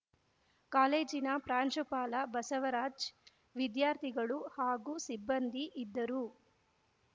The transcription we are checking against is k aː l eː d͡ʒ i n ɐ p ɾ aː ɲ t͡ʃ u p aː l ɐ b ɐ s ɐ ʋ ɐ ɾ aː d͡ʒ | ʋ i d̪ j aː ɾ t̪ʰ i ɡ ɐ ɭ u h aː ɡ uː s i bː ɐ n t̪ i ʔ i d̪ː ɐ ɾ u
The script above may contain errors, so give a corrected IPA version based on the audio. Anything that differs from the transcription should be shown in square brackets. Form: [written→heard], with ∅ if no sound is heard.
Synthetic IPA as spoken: k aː l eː d͡ʒ i n ɐ p ɾ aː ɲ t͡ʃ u p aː l ɐ b ɐ s ɐ ʋ ɐ ɾ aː d͡ʒ | ʋ i d̪ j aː ɾ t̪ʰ i ɡ ɐ ɭ u h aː ɡ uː s i bː ɐ n [t̪→d̪] i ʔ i d̪ː ɐ ɾ u